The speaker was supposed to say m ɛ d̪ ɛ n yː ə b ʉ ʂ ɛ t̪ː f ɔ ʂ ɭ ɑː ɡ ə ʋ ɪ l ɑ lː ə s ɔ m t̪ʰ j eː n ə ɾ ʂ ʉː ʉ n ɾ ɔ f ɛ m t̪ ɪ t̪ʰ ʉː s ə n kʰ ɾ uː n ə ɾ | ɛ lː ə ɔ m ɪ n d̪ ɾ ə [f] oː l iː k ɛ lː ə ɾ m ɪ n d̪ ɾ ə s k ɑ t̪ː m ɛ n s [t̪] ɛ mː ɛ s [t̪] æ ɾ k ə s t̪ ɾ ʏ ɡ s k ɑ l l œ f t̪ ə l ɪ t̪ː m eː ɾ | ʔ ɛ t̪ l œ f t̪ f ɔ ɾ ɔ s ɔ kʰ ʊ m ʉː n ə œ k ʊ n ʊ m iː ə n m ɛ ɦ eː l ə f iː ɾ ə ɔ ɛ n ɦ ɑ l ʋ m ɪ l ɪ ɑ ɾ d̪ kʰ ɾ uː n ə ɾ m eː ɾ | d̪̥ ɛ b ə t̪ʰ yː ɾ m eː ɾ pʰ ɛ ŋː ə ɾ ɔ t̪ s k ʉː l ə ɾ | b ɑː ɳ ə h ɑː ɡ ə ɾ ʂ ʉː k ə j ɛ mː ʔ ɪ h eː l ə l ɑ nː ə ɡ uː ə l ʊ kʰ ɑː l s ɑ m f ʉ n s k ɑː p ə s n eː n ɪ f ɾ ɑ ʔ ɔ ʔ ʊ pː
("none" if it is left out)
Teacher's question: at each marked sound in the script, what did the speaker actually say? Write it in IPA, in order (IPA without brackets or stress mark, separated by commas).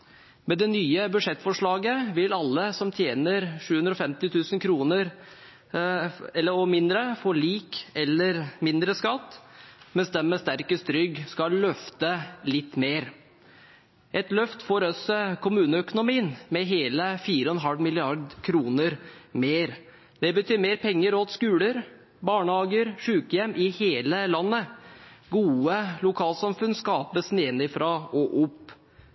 f, d̪, t̪